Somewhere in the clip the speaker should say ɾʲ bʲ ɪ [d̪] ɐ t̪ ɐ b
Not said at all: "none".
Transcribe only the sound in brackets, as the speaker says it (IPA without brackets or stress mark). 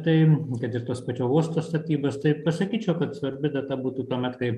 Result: d̪